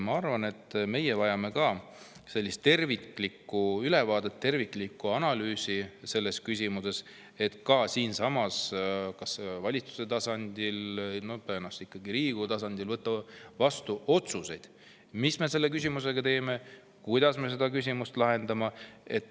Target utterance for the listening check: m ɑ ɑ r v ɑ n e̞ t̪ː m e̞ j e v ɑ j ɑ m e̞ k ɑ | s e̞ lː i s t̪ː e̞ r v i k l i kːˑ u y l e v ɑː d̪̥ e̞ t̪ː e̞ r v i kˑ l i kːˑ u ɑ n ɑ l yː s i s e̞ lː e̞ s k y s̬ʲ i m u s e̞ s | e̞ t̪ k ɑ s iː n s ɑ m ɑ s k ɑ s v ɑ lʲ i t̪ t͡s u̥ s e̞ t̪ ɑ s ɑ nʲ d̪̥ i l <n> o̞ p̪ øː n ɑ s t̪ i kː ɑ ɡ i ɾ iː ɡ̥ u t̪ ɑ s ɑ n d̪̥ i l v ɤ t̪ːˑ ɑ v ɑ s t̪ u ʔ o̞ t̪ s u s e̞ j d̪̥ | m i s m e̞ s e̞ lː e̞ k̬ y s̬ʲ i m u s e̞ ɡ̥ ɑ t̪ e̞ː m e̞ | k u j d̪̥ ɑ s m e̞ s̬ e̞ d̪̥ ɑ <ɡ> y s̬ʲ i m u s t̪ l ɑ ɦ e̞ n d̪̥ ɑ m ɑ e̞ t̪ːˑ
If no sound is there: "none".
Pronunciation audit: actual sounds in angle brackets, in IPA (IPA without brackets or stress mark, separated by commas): n, k